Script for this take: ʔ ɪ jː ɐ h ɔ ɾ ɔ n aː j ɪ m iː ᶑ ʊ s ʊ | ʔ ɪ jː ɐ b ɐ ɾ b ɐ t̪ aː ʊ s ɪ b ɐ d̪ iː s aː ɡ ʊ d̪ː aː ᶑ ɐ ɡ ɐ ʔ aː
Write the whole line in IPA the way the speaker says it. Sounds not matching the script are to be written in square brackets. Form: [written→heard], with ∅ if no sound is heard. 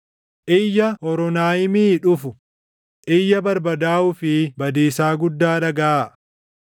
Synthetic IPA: ʔ ɪ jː ɐ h ɔ ɾ ɔ n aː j ɪ m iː ᶑ ʊ [s→f] ʊ | ʔ ɪ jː ɐ b ɐ ɾ b ɐ [t̪→d̪] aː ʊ [s→f] ɪ b ɐ d̪ iː s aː ɡ ʊ d̪ː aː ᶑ ɐ ɡ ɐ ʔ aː